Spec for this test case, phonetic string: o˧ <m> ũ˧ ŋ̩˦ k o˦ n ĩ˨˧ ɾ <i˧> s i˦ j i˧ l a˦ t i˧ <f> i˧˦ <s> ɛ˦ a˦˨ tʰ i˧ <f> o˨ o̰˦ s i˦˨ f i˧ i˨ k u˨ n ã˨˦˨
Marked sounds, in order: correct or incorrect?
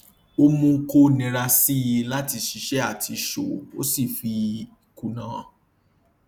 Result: correct, incorrect: a˧, incorrect: ʃ, incorrect: ʃ, incorrect: ʃ

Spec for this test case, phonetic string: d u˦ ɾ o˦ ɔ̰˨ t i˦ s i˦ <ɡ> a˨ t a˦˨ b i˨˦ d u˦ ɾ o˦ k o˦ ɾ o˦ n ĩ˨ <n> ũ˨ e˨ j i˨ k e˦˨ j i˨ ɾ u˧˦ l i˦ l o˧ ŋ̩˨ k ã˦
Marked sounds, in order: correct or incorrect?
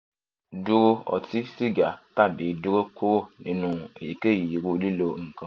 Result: correct, correct

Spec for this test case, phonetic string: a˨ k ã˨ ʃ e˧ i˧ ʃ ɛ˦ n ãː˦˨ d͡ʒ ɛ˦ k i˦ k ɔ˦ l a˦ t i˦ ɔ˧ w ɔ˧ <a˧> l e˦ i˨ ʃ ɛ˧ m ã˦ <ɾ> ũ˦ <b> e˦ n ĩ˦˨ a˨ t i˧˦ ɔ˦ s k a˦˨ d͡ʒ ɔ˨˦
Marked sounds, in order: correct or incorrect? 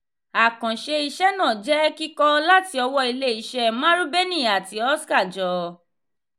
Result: incorrect: i˧, correct, correct

